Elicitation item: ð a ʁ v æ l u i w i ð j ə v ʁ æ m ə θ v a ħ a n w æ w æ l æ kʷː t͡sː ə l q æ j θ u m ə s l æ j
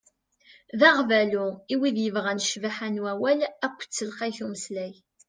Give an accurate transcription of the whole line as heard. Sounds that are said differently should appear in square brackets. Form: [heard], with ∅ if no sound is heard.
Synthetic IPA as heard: ð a ʁ v æ l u i w i ð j ə v ʁ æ [n] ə [ʃ] v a ħ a n w æ w æ l æ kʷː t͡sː ə l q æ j θ u m ə s l æ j